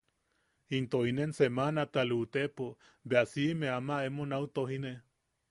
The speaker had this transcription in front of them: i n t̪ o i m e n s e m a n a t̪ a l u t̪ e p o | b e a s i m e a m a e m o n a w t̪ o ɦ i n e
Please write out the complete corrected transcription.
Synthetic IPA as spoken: i n t̪ o i n e n s e m a n a t̪ a l u t̪ e p o | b e a s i m e a m a e m o n a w t̪ o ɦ i n e